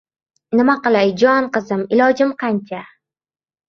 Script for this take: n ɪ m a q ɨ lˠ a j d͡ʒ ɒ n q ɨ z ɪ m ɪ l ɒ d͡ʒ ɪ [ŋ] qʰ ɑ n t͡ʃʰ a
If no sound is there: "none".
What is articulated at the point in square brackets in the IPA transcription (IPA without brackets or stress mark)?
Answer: m